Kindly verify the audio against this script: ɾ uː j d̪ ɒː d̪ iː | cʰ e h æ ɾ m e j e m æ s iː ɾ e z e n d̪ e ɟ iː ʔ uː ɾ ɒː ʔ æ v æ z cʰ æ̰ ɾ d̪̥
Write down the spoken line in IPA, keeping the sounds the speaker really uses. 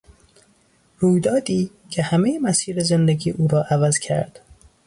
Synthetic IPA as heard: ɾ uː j d̪ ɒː d̪ iː | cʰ e h æ m e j e m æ s iː ɾ e z e n d̪ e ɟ iː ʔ uː ɾ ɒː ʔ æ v æ z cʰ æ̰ ɾ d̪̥